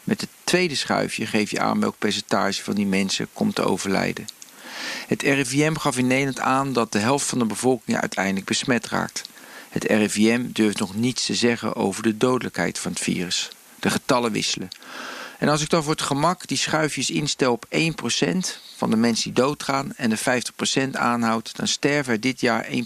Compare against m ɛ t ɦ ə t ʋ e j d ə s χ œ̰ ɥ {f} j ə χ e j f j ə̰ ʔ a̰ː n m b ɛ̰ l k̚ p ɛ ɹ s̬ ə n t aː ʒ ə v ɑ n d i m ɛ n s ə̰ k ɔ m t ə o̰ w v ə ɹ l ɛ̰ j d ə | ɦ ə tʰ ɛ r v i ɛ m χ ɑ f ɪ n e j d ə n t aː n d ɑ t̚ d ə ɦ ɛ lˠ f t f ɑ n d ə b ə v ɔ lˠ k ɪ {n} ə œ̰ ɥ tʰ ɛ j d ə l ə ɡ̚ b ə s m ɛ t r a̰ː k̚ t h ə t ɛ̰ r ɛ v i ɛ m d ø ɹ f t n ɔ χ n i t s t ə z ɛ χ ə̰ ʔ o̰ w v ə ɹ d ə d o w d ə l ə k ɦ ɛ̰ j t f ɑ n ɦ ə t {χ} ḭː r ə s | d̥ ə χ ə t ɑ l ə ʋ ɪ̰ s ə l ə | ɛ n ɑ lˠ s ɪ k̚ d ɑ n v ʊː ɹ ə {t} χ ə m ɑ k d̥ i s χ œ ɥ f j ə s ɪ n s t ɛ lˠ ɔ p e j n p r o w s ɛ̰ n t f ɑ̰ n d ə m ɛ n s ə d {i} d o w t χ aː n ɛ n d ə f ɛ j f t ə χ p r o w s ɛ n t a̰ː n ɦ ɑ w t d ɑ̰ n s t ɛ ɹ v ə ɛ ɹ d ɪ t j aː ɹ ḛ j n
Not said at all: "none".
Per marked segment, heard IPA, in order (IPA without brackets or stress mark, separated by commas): f, ŋ, f, t, i